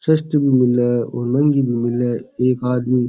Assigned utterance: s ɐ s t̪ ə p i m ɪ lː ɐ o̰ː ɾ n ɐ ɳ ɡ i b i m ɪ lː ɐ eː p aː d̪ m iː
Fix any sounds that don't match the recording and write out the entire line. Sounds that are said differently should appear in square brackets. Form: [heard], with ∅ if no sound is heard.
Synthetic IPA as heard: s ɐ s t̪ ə [b] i m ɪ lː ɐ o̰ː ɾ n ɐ [ŋ] ɡ i b i m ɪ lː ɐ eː [k] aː d̪ m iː